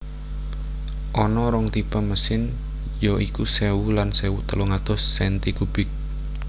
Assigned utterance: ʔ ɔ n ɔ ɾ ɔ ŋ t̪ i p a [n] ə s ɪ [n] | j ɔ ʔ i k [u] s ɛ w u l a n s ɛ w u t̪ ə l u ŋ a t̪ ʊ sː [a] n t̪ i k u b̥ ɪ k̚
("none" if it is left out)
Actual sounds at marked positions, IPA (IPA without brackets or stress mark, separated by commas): m, n, u, ɛ